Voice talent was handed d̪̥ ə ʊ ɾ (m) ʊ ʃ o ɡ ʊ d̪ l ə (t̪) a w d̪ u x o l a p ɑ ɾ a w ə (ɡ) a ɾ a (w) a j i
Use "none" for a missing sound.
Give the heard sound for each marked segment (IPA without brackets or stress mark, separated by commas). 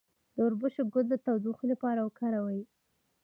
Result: b, t̪, k, w